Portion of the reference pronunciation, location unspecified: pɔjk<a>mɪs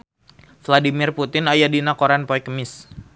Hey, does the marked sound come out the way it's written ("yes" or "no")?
no